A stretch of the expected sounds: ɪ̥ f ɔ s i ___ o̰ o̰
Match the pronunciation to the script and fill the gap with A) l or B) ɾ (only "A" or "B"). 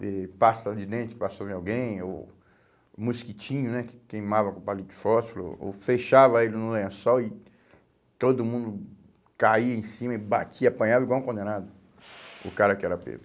A